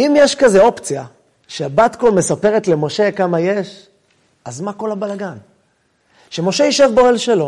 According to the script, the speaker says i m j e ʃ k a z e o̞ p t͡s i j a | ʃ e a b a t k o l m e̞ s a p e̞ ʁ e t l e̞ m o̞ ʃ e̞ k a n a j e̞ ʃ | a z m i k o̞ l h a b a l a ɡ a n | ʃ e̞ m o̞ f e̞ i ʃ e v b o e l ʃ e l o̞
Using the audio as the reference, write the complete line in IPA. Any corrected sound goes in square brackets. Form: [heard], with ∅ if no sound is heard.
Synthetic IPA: i m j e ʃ k a z e o̞ p t͡s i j a | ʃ e a b a t k o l m e̞ s a p e̞ ʁ e t l e̞ m o̞ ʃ e̞ k a [m] a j e̞ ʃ | a z m [a] k o̞ l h a b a l a ɡ a n | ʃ e̞ m o̞ [ʃ] e̞ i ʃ e v b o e l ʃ e l o̞